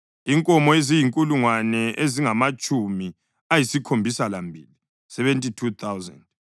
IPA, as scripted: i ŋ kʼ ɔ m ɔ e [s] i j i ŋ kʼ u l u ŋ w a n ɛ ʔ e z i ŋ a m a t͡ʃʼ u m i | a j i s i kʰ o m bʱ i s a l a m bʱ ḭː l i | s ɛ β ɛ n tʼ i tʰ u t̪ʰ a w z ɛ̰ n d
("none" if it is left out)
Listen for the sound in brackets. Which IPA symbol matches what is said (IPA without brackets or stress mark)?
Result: z